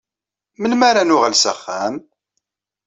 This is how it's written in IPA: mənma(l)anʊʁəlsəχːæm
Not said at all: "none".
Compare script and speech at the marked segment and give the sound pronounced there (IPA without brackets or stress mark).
ɾ